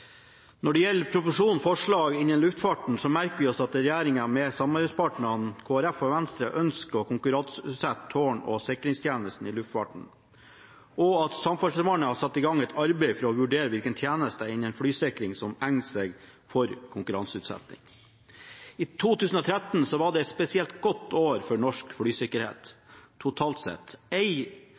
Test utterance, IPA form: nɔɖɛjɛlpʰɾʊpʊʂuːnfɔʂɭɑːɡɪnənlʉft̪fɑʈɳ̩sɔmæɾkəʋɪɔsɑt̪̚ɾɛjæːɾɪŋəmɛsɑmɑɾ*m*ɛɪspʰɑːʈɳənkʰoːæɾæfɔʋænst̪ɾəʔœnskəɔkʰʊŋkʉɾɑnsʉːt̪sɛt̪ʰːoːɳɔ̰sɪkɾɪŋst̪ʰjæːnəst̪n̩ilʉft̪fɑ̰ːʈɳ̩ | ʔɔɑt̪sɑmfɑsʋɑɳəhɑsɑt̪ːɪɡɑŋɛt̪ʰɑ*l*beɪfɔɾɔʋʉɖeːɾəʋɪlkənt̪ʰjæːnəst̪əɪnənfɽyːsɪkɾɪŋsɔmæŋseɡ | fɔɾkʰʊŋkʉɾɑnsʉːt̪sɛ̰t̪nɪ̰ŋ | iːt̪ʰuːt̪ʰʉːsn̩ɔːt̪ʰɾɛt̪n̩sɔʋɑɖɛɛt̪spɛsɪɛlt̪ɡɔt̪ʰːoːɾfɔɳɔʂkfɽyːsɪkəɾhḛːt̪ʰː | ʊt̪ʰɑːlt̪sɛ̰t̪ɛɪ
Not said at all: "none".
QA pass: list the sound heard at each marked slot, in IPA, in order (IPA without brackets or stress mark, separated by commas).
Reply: b, ɾ